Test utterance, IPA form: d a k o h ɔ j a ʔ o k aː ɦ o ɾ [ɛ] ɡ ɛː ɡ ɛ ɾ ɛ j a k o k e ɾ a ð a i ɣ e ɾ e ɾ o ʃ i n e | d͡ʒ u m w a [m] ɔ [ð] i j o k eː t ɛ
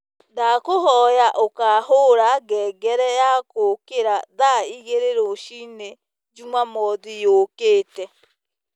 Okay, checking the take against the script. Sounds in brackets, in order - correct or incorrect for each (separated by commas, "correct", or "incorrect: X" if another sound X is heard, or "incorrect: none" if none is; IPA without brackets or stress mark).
incorrect: a, correct, correct